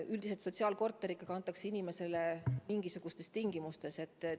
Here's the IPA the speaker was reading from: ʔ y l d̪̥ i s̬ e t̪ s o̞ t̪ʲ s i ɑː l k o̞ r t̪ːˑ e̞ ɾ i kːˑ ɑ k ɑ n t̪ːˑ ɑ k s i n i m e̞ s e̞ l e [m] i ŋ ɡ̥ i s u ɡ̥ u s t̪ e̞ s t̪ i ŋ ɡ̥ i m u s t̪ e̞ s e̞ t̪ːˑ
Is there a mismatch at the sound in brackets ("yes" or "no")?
no